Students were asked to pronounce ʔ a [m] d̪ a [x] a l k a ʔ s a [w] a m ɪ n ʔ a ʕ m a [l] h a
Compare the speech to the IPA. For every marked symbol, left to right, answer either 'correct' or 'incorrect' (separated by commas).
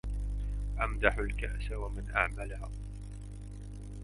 correct, incorrect, correct, correct